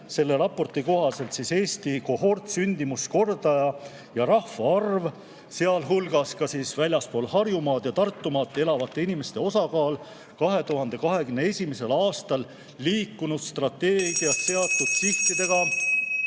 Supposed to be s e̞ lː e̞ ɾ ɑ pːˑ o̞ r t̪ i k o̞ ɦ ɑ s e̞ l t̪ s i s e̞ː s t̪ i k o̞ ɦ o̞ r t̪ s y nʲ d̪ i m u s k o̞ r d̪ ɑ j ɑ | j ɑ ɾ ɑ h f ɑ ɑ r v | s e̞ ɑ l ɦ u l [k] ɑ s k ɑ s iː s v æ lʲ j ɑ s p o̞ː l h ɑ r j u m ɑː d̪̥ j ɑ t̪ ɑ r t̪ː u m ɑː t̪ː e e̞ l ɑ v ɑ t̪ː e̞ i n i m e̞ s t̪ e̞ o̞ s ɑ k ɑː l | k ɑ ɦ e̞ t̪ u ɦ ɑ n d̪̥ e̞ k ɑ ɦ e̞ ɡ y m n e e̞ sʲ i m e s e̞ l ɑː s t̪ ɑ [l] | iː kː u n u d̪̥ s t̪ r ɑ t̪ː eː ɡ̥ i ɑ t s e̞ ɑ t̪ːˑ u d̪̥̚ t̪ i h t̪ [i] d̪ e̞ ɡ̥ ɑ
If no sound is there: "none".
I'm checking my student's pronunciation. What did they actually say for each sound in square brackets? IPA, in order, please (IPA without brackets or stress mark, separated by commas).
ɡ, lː, i